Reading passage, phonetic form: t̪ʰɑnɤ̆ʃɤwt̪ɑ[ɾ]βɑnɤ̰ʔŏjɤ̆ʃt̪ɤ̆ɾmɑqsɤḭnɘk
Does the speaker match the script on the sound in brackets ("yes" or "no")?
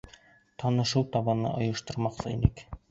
no